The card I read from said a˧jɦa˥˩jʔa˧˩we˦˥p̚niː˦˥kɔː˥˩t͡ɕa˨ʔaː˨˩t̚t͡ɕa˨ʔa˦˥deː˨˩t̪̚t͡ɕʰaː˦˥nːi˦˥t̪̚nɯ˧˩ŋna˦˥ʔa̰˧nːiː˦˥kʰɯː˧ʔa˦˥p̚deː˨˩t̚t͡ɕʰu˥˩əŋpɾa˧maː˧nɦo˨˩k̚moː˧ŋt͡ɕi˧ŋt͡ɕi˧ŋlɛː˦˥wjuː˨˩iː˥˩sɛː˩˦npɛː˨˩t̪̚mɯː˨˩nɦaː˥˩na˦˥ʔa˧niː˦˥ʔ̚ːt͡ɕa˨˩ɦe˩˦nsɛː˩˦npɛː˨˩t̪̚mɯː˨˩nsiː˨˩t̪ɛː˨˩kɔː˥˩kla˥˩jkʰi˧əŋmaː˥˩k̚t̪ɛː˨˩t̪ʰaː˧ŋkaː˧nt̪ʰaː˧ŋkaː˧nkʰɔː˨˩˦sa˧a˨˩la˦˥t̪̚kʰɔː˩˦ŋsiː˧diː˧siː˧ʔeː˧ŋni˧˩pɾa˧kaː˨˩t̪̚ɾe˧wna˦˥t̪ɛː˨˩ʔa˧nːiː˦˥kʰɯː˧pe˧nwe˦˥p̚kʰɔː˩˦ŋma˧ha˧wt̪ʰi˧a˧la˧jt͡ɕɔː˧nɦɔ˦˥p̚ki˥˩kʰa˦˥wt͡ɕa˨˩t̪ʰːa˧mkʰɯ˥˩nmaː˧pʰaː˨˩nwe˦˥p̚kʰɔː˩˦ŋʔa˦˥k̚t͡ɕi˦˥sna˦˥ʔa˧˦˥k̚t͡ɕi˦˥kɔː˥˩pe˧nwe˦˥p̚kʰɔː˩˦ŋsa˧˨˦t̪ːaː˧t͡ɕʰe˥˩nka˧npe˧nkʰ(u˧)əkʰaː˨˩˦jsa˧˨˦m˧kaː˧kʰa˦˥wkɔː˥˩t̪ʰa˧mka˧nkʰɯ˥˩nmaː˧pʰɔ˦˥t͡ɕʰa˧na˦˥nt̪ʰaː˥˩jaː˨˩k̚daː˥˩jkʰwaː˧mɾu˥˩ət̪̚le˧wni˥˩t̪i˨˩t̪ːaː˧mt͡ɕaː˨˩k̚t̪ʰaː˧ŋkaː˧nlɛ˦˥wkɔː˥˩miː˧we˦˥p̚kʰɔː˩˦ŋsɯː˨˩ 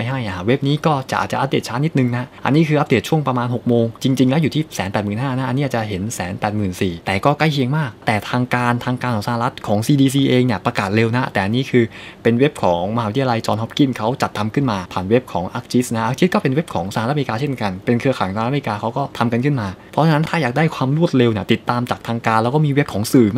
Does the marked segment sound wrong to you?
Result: yes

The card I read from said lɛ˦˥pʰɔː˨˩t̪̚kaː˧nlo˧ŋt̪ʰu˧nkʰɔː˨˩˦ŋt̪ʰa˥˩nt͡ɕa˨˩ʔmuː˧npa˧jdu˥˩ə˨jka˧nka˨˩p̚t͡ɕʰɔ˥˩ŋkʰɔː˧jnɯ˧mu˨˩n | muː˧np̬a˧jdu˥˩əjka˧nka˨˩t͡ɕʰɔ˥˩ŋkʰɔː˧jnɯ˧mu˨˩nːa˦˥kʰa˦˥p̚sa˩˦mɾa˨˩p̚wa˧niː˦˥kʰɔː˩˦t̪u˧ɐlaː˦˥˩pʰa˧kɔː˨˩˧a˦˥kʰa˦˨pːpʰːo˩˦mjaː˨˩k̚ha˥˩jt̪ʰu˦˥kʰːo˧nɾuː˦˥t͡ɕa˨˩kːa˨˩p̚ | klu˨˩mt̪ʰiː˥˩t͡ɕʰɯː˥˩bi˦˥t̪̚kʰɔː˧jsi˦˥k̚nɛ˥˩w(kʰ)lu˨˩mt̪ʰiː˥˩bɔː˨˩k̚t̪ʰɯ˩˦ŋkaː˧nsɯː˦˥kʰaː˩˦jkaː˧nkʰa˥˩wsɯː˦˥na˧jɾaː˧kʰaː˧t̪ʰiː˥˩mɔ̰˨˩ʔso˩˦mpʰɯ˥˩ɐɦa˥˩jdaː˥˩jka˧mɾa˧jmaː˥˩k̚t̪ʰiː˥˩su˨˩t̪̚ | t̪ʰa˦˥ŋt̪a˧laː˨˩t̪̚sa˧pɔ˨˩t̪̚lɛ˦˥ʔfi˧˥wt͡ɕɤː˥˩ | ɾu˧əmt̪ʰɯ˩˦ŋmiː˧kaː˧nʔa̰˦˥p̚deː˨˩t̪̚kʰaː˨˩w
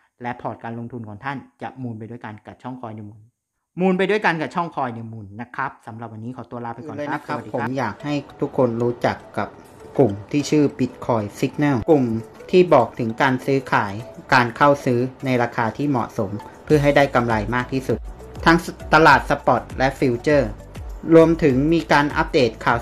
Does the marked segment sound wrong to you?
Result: yes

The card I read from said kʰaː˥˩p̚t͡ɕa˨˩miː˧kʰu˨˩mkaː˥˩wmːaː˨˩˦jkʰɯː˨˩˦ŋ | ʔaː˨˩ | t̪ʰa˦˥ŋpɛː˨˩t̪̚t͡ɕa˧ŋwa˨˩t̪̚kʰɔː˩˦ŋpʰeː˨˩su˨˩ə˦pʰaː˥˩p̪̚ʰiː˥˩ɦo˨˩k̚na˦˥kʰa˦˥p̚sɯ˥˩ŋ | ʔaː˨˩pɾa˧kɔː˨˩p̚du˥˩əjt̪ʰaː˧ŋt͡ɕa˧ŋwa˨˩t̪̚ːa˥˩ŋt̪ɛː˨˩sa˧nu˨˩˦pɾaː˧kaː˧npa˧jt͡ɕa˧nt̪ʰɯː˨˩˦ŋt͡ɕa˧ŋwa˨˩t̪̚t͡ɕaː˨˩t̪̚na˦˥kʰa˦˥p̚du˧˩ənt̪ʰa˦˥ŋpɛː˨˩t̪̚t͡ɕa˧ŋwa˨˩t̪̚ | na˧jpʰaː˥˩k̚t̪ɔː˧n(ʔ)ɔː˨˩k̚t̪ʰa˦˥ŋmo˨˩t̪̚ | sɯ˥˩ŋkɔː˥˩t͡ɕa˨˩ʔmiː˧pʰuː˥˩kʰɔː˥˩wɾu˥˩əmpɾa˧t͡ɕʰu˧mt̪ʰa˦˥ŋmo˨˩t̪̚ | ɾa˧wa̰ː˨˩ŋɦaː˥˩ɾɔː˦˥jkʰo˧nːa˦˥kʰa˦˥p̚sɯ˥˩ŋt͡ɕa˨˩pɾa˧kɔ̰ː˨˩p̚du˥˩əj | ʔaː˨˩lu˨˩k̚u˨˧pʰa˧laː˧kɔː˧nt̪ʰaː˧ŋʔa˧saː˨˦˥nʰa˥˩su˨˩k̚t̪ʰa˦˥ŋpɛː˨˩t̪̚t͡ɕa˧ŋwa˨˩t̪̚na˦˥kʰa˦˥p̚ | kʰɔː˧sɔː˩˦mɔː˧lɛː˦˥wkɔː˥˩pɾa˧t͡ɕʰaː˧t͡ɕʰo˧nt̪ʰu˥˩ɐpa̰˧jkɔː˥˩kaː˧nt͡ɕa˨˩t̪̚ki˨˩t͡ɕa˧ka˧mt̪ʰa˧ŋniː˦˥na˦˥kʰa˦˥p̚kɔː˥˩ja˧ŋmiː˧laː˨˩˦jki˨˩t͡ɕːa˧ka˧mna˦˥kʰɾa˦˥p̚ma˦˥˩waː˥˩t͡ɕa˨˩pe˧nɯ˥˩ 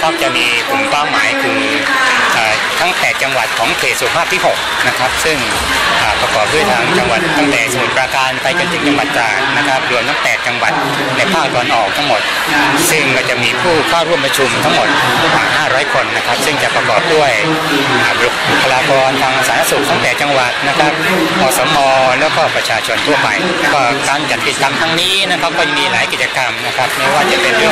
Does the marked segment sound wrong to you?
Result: no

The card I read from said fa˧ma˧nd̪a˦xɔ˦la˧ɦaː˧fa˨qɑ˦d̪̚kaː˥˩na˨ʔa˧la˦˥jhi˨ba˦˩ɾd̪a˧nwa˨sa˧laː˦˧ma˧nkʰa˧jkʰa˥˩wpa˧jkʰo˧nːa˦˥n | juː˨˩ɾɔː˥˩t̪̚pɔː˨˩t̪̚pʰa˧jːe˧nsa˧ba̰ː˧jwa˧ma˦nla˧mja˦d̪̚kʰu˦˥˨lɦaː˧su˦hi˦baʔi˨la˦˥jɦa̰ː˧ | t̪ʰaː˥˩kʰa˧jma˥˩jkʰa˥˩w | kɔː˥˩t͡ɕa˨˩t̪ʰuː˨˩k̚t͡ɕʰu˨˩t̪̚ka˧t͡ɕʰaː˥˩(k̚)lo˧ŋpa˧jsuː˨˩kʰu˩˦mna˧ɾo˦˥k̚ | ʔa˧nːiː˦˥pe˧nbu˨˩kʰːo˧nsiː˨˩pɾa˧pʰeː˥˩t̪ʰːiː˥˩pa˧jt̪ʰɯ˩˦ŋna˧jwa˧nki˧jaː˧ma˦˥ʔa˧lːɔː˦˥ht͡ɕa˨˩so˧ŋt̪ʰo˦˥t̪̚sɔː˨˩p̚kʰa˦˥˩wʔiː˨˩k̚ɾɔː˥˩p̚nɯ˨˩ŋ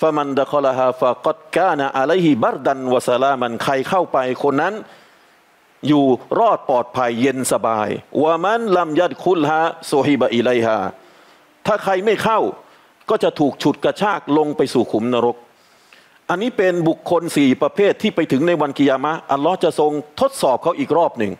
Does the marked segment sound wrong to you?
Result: no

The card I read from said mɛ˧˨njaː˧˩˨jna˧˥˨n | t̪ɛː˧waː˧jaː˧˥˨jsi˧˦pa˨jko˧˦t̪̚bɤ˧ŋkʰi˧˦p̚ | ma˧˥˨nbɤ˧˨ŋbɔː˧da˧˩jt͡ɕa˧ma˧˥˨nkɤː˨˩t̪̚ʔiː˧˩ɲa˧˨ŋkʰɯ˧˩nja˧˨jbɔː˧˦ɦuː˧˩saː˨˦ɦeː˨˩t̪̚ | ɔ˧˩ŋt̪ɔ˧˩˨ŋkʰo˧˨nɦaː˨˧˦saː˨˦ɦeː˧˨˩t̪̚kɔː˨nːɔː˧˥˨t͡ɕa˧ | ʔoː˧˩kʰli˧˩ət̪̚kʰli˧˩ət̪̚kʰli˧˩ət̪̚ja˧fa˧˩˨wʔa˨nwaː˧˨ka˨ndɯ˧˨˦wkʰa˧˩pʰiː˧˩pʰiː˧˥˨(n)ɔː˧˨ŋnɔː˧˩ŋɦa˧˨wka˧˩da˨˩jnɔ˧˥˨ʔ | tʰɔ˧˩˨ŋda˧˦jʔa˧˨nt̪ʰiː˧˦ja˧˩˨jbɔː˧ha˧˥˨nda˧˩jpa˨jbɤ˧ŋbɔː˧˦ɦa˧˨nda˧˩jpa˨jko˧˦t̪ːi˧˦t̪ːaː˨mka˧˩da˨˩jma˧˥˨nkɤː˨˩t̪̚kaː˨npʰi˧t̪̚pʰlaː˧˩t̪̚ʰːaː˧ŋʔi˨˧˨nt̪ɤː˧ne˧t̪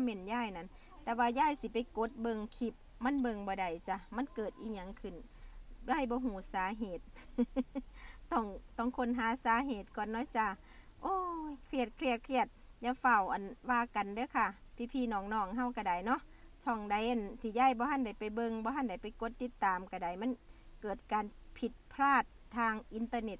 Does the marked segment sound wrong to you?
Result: no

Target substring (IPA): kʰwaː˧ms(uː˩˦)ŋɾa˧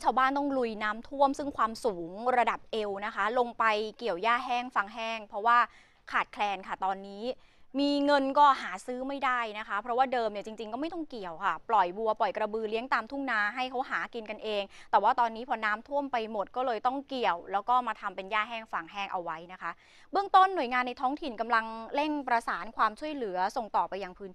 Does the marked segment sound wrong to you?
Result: no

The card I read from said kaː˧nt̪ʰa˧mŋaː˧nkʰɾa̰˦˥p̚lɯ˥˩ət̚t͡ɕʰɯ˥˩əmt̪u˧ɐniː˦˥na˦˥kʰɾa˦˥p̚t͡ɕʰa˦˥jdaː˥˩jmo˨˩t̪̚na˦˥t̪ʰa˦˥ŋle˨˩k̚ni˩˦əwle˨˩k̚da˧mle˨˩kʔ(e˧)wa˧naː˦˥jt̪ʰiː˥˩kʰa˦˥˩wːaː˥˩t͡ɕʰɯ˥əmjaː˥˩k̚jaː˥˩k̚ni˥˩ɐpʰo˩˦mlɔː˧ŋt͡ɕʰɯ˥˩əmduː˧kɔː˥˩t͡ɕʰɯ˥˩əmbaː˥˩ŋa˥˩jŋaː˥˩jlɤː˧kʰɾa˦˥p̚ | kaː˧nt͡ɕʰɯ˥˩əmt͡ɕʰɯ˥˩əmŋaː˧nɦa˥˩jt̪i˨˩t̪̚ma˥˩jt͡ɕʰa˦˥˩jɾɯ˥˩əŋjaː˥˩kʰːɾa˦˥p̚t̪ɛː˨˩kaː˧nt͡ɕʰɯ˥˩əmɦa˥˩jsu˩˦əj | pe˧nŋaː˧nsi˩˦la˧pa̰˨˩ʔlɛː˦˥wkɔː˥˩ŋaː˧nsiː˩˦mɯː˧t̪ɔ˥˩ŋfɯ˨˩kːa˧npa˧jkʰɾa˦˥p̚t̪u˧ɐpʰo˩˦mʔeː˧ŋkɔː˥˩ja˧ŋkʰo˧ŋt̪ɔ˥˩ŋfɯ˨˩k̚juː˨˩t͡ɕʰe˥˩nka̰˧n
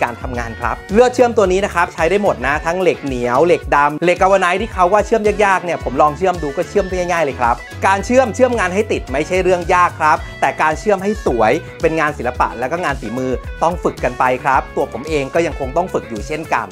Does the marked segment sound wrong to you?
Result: yes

